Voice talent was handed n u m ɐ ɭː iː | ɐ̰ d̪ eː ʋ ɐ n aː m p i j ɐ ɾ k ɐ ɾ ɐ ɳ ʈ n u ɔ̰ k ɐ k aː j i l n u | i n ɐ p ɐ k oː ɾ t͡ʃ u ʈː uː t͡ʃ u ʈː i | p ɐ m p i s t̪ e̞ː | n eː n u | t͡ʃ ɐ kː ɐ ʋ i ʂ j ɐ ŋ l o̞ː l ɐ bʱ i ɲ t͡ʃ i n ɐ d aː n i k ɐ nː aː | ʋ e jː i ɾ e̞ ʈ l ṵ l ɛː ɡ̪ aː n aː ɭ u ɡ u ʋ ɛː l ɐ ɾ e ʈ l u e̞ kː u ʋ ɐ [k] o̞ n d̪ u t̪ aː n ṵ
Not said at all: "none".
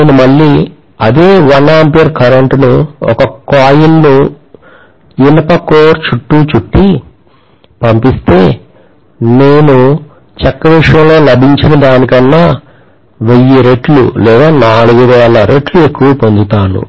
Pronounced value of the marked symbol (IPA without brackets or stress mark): p